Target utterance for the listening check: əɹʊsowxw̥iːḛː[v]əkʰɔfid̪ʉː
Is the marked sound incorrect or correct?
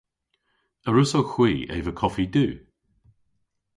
correct